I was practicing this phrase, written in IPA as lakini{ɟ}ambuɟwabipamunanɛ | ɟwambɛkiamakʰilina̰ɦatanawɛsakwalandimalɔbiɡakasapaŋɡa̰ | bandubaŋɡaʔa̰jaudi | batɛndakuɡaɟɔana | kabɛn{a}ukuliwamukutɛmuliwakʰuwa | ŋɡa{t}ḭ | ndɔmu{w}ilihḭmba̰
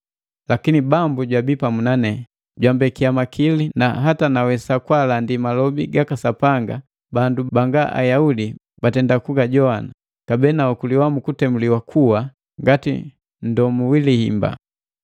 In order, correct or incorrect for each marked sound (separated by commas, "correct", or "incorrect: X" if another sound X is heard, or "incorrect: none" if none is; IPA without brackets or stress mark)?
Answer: incorrect: b, correct, correct, correct